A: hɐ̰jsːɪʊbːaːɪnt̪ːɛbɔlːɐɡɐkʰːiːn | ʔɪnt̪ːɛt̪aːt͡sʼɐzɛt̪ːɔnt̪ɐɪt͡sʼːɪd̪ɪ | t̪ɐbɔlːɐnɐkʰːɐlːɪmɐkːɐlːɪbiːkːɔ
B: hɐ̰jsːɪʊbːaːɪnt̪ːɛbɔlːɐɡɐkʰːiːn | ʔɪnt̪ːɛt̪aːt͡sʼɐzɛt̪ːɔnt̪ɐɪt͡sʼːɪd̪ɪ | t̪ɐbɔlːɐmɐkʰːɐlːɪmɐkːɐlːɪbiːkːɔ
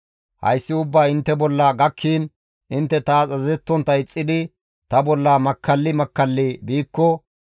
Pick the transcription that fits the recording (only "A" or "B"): B